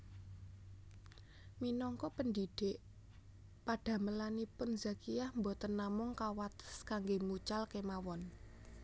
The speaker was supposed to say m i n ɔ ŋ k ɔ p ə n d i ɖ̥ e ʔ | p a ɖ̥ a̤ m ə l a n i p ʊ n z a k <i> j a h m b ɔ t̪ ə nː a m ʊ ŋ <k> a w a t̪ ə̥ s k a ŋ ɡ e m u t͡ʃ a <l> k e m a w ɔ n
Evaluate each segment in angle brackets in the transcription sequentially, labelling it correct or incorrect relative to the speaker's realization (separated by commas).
correct, correct, correct